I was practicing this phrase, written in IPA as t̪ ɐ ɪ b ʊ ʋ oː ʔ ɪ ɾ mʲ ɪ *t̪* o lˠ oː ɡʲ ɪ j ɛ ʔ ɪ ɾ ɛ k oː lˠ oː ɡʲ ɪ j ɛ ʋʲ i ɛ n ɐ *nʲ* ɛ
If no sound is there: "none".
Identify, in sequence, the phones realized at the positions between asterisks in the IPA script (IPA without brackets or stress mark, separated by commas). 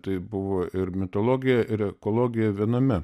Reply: t̪, mʲ